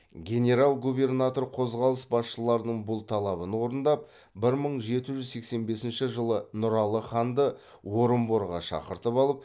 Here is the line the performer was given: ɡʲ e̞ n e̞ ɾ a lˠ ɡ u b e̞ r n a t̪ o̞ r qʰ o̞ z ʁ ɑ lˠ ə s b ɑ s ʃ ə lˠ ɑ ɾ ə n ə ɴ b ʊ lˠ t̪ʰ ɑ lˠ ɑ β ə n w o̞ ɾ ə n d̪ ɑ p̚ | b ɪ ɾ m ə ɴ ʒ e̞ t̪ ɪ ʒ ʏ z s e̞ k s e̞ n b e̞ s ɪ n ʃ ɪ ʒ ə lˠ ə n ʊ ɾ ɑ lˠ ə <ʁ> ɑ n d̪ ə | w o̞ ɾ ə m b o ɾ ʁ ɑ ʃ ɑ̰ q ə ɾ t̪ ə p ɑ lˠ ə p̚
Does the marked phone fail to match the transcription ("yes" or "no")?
yes